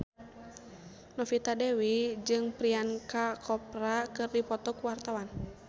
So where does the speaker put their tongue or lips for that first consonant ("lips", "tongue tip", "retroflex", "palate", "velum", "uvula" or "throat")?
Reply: tongue tip